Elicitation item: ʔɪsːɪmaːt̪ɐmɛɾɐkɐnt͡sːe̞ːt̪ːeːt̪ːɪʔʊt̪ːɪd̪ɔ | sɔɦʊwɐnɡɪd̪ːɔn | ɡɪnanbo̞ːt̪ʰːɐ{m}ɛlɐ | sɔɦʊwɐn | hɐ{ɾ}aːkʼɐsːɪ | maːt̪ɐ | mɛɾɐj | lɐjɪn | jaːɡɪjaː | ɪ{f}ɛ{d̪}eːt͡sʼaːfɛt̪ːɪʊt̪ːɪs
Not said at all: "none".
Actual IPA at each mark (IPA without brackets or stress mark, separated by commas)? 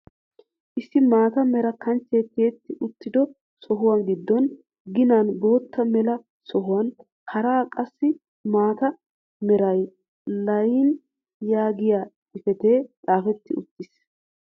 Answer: m, ɾ, f, t̪